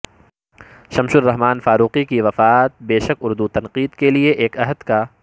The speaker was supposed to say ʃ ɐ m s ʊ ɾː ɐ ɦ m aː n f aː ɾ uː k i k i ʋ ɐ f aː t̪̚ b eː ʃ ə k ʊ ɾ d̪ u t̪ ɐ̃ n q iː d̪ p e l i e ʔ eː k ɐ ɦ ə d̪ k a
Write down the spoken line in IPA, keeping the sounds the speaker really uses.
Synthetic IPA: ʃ ɐ m ʃ ʊ ɾː ɐ ɦ m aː n f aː ɾ uː q i k i ʋ ɐ f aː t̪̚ b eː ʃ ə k ʊ ɾ d̪ u t̪ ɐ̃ n q iː d̪ k e l i e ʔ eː k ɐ ɦ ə d̪ k a